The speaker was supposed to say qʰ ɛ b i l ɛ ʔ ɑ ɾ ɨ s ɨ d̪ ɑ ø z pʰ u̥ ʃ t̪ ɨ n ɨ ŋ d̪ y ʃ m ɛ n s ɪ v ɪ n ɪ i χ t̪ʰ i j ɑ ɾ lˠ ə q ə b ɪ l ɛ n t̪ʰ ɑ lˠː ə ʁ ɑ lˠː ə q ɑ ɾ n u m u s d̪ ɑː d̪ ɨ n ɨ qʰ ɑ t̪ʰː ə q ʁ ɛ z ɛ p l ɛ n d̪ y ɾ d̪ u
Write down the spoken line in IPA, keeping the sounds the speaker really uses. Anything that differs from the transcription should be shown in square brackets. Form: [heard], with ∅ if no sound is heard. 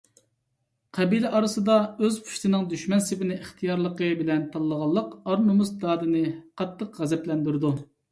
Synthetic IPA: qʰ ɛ b i l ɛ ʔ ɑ ɾ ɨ s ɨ d̪ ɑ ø z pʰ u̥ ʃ t̪ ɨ n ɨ ŋ d̪ y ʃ m ɛ n s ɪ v ɪ n ɪ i χ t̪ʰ i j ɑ ɾ lˠ ə q ə b ɪ l ɛ n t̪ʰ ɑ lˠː ə ʁ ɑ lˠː ə q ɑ ɾ n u m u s d̪ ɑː d̪ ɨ n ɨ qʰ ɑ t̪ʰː ə q ʁ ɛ z ɛ p l ɛ n d̪ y ɾ d̪ u